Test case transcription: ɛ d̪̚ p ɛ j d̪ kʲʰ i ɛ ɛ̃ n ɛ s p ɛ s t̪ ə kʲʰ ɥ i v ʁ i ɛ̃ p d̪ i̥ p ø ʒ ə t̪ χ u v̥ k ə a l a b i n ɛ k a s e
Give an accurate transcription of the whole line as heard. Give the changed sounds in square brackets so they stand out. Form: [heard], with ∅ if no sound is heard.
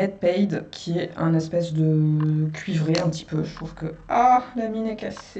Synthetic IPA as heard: ɛ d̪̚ p ɛ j d̪ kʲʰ i ɛ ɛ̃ n ɛ s p ɛ s [d̪] ə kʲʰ ɥ i v ʁ [e] ɛ̃ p [t̪] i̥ p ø ʒ ə t̪ χ u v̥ k ə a l a [m] i n ɛ k a s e